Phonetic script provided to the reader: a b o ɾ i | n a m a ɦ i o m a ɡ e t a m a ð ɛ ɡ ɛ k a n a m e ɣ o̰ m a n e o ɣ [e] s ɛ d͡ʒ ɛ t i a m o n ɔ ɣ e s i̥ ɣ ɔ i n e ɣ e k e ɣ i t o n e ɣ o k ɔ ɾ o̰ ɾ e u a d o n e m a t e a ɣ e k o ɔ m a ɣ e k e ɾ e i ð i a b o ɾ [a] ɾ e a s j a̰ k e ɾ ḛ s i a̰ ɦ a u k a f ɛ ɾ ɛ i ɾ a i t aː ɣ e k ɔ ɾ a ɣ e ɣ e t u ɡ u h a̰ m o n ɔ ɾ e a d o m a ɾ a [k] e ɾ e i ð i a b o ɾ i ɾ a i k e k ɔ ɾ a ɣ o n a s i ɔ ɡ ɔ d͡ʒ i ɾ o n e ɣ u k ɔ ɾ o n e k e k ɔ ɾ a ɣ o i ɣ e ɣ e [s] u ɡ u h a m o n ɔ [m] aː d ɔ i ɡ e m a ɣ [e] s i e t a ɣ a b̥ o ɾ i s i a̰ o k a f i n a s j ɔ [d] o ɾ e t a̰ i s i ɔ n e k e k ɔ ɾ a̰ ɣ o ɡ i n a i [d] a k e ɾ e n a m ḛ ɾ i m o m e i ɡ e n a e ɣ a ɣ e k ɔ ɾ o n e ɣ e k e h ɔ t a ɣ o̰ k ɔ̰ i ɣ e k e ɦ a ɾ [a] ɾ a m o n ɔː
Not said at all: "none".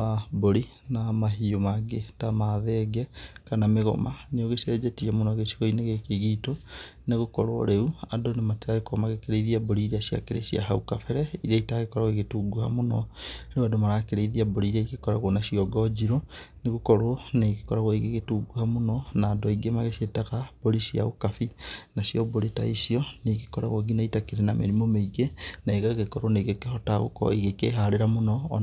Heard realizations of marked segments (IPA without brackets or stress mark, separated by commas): e, i, k, t, n, e, b, t, e